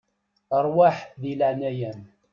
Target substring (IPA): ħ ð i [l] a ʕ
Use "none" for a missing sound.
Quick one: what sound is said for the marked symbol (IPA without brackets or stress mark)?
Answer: l